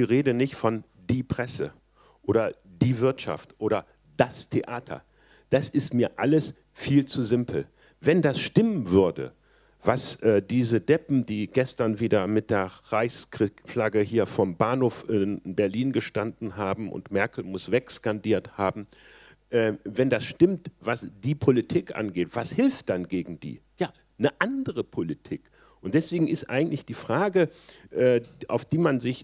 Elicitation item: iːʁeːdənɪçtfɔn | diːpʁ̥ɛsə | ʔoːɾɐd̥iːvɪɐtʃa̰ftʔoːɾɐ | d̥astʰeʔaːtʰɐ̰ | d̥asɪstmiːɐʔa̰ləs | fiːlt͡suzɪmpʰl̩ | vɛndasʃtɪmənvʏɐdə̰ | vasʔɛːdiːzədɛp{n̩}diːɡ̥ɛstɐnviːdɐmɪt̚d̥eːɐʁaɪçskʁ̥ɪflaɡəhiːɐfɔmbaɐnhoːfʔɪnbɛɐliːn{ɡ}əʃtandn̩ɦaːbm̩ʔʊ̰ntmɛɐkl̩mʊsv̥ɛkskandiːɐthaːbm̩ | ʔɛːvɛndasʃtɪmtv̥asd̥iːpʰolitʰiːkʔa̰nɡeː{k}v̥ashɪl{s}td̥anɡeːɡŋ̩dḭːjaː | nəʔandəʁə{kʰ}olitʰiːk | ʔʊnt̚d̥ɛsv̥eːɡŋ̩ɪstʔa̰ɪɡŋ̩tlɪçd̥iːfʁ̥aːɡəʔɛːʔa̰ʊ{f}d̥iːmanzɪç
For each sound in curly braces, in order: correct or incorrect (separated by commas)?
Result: incorrect, correct, incorrect, incorrect, incorrect, correct